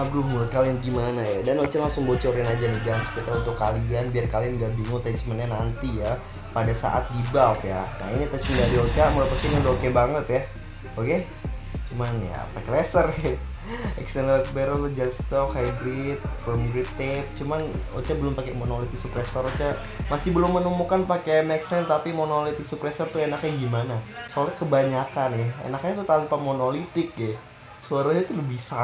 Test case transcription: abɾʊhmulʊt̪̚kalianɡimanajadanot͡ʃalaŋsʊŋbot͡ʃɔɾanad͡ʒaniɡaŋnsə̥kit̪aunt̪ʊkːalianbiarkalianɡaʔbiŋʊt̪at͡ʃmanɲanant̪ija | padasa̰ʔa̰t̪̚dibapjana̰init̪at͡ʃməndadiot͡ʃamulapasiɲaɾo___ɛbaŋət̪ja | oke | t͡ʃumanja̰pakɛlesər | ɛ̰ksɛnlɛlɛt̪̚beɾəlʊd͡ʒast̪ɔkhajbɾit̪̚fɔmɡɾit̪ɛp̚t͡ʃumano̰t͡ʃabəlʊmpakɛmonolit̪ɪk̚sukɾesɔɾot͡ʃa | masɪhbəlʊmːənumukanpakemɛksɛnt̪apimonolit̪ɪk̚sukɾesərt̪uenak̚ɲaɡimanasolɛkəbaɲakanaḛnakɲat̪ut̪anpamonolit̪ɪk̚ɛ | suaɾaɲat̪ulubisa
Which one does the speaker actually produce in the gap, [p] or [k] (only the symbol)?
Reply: k